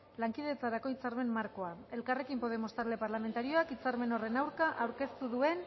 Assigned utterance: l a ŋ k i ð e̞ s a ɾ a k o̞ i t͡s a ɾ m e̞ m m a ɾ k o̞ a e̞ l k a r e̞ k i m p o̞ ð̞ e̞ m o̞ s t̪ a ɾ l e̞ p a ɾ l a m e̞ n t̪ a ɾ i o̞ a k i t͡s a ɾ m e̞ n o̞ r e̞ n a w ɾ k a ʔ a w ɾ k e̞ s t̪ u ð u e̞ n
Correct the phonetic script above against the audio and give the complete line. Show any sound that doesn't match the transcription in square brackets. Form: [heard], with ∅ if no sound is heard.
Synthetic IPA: l a ŋ k i ð e̞ [t͡s] a ɾ a k o̞ i t͡s a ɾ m e̞ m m a ɾ k o̞ a e̞ l k a r e̞ k i m p o̞ ð̞ e̞ m o̞ s t̪ a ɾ l e̞ p a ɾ l a m e̞ n t̪ a ɾ i o̞ a k i t͡s a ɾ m e̞ n o̞ r e̞ n a w ɾ k a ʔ a w ɾ k e̞ s t̪ u ð u e̞ n